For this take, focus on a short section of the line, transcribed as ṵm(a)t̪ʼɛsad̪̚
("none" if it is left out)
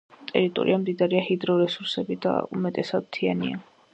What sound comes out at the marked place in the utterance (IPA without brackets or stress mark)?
ɛ